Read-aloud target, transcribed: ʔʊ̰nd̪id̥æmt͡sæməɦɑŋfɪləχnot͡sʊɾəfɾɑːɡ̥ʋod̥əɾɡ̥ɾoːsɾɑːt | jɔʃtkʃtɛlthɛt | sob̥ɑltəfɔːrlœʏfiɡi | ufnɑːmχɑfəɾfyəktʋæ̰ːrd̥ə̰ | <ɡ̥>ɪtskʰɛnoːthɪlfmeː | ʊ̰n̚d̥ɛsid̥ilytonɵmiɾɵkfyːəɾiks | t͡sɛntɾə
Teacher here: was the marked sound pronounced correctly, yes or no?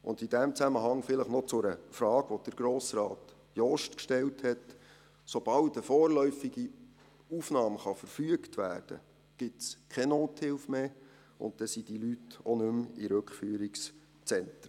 yes